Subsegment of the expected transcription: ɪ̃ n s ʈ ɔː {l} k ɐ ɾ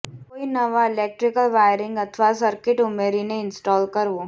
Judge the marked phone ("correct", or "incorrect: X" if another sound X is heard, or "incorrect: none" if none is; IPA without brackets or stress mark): correct